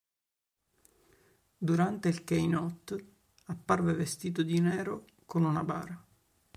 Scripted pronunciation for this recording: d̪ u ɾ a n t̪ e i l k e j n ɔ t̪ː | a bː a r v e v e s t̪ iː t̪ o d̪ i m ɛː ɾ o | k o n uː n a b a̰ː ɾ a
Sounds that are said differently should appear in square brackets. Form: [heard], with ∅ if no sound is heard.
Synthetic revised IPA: d̪ u ɾ a n t̪ e i l k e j n ɔ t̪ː | a [pː] a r v e v e s t̪ iː t̪ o d̪ i [n] ɛː ɾ o | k o n [u] n a b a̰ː ɾ a